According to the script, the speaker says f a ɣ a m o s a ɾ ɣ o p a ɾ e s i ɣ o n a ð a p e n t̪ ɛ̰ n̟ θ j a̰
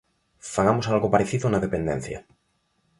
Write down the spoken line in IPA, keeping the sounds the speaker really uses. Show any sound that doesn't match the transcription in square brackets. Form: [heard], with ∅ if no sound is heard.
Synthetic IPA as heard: f a ɣ a m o s a [l] ɣ o p a ɾ e [θ] i [ð] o n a ð [e] p e n [d̪] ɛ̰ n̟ θ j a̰